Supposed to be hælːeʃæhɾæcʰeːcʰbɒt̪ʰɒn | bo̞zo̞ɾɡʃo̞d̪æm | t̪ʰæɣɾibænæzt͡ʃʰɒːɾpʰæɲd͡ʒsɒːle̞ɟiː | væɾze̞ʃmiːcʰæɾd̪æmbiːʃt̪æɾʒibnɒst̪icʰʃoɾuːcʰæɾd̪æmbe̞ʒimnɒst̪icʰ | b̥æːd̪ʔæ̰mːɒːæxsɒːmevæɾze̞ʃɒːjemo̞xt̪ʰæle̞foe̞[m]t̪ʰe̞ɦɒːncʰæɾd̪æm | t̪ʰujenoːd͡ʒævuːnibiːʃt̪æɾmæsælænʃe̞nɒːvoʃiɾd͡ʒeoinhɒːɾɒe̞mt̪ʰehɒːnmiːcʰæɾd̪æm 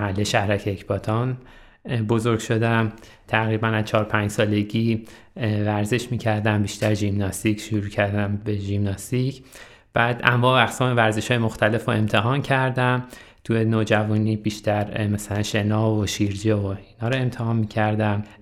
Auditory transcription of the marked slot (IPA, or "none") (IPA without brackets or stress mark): m